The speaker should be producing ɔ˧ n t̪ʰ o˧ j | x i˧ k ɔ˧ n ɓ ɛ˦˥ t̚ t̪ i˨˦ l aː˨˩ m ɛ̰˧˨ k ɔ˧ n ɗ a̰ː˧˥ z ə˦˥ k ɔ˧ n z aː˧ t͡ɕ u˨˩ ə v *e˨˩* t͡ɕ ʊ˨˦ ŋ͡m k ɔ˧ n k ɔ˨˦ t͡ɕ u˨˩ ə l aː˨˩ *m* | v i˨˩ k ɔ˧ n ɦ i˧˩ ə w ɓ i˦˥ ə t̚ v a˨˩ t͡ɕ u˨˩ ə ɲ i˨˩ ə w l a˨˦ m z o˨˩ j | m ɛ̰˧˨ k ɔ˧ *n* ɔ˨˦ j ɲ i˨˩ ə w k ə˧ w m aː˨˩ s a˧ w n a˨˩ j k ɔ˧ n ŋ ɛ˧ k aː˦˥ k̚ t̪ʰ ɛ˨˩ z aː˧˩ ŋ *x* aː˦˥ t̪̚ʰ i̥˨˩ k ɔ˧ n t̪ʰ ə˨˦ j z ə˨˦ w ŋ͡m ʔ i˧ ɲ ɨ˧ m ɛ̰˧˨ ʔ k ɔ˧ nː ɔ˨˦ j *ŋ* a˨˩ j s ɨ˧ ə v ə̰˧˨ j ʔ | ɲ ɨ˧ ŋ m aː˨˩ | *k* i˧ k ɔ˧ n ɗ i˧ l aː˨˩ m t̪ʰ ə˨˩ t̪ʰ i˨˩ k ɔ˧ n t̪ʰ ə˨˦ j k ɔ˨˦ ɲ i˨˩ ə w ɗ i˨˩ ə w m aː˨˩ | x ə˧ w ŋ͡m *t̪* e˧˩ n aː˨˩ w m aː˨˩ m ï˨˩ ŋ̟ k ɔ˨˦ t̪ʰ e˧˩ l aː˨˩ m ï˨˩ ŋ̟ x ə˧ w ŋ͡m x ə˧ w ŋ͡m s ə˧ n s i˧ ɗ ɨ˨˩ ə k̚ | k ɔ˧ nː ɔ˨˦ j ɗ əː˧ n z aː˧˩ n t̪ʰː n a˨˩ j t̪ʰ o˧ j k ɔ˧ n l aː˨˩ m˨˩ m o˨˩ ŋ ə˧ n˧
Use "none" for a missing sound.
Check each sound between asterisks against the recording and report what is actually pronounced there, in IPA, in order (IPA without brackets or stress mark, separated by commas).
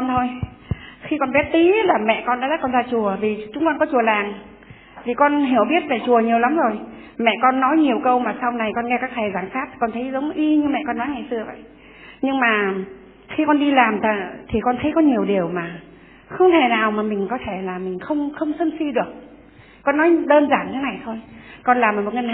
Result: i˨˩, ŋ, nː, s, ŋ, x, t̪ʰ